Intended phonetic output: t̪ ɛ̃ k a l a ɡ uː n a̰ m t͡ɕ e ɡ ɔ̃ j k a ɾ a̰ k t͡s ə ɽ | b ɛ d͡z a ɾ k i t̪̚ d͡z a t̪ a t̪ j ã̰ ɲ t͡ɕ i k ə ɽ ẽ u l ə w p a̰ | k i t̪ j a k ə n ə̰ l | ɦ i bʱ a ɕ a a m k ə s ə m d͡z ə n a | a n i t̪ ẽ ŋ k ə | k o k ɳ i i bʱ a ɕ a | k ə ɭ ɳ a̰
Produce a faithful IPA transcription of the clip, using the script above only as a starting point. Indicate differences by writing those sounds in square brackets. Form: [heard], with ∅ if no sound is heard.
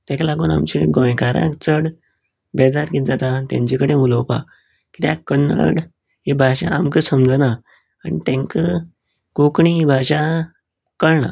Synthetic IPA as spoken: t̪ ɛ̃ k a l a ɡ uː n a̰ m t͡ɕ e ɡ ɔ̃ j k a ɾ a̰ k t͡s ə ɽ | b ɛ d͡z a ɾ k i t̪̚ d͡z a t̪ a t̪ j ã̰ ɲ t͡ɕ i k ə ɽ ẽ u l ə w p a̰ | k i t̪ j a k ə n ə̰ [ɽ] | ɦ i bʱ a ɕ a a m k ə s ə m d͡z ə n a | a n i t̪ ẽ ŋ k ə | k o k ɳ i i bʱ a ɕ a | k ə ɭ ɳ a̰